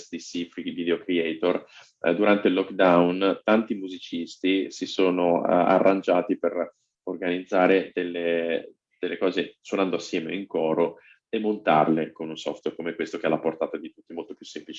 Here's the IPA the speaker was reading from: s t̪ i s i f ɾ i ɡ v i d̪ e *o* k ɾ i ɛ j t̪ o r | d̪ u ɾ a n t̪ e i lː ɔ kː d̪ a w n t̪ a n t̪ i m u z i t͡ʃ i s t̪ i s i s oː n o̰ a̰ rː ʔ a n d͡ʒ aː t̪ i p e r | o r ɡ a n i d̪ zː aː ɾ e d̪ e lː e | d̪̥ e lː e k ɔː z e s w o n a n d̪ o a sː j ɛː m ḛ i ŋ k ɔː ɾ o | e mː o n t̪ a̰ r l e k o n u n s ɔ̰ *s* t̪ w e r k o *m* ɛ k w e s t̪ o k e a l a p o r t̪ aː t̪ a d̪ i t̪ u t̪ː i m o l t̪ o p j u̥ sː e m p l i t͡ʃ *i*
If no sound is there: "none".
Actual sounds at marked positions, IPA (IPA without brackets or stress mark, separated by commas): o, f, m, i